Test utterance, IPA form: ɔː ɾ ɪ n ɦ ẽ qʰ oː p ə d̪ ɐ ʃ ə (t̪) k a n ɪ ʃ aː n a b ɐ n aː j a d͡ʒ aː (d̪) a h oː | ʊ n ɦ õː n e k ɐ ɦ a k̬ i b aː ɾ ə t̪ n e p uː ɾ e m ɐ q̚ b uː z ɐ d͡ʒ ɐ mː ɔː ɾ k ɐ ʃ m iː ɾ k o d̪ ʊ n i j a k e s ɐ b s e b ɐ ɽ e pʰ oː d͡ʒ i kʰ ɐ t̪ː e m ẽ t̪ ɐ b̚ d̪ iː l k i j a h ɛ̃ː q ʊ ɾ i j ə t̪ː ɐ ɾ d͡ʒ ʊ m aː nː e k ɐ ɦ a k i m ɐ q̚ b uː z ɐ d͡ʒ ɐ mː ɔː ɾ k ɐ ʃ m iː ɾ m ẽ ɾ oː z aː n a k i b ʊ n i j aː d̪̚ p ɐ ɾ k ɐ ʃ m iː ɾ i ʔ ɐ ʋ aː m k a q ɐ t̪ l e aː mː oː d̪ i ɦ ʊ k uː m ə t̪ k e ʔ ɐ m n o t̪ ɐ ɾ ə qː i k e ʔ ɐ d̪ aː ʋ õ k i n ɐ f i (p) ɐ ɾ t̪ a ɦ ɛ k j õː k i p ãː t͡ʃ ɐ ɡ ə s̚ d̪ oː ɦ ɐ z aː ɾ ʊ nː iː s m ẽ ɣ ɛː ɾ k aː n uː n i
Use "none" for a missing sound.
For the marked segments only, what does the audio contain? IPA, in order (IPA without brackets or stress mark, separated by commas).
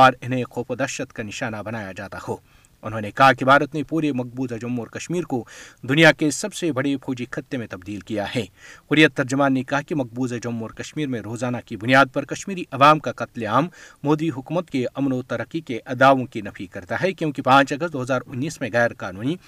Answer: t̪, t̪, k